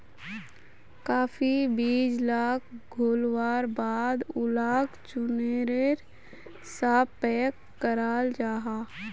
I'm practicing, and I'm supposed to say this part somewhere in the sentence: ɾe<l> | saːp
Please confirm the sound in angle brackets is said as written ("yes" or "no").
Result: no